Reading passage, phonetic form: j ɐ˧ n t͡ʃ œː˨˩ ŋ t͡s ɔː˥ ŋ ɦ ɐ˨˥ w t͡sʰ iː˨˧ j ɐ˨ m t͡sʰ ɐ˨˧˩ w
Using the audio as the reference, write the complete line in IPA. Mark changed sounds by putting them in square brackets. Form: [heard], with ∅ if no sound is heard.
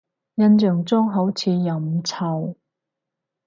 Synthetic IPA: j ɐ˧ n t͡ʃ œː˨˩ ŋ t͡s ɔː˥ ŋ ɦ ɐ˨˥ w t͡sʰ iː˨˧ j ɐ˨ m t͡sʰ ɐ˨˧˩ w